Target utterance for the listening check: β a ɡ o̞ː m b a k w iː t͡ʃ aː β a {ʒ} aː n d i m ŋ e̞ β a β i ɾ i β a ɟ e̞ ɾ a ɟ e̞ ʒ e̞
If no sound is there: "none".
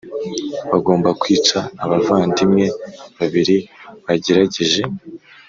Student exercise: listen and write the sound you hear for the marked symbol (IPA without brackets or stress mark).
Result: v